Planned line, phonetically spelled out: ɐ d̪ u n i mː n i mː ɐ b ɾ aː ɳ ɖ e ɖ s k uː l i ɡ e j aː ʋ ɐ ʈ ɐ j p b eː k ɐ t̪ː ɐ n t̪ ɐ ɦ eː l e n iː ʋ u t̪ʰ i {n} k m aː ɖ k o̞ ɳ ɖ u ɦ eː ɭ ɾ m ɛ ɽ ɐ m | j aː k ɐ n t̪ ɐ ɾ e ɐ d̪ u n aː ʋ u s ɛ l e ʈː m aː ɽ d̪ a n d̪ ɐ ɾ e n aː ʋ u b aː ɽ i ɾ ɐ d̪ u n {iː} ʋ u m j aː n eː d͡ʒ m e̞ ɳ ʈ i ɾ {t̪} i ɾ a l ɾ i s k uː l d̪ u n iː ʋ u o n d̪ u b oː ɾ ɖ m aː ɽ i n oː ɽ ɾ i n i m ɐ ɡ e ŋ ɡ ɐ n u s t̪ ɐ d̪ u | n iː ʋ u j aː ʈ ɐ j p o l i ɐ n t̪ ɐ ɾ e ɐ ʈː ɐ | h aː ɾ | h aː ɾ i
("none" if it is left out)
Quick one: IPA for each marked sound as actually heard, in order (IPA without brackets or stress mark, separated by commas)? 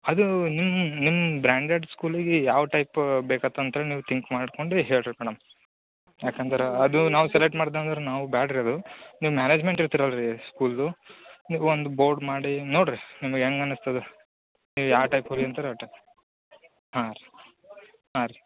ŋ, iː, t̪